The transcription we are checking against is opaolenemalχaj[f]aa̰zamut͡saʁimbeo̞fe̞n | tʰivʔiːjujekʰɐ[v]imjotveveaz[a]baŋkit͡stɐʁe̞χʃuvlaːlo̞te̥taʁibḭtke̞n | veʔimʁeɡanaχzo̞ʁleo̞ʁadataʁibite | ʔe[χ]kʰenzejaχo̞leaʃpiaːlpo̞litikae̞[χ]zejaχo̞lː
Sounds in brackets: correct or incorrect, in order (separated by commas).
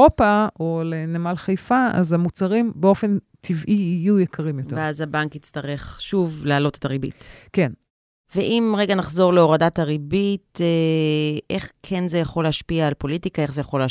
correct, incorrect, correct, correct, correct